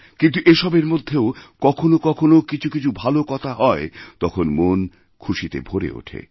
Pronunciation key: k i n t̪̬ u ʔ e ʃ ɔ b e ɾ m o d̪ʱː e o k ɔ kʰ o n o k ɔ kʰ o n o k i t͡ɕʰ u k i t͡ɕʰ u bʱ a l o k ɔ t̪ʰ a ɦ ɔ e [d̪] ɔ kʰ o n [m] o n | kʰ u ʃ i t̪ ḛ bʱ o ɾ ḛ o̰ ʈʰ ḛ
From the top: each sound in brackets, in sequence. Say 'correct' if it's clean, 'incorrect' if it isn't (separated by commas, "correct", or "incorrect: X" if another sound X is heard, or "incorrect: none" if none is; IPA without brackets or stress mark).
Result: incorrect: t̪, correct